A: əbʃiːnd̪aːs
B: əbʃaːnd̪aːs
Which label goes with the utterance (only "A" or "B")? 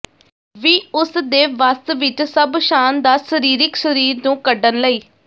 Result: B